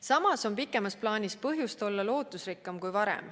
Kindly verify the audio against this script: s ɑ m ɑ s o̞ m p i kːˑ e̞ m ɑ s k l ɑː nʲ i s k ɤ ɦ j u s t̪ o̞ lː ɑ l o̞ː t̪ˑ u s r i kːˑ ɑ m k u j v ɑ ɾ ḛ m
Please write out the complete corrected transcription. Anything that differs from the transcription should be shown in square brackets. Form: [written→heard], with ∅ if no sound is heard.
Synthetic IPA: s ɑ m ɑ s o̞ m p i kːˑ e̞ m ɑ s [k→p] l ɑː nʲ i s [k→p] ɤ ɦ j u s t̪ o̞ lː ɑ l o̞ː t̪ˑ u s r i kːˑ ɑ m k u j v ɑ ɾ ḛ m